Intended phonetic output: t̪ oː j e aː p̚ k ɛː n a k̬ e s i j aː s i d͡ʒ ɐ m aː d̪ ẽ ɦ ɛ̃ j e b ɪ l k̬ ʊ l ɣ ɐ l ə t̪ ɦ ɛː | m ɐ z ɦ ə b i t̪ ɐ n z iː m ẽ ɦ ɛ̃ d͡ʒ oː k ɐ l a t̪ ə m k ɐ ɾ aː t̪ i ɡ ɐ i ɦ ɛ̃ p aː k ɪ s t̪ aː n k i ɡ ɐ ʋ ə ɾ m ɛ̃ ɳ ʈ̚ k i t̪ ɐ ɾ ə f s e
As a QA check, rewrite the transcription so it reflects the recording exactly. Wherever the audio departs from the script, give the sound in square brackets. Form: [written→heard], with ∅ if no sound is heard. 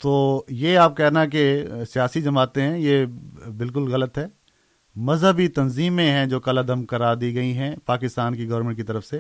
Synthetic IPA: t̪ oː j e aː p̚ k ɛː n a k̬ e s i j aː s i d͡ʒ ɐ m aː [d̪→t̪] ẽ ɦ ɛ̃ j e b ɪ l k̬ ʊ l ɣ ɐ l ə t̪ ɦ ɛː | m ɐ z ɦ ə b i t̪ ɐ n z iː m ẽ ɦ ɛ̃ d͡ʒ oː k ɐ l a [t̪→d̪] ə m k ɐ ɾ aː [t̪→d̪] i ɡ ɐ i ɦ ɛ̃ p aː k ɪ s t̪ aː n k i ɡ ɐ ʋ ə ɾ m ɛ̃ ɳ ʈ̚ k i t̪ ɐ ɾ ə f s e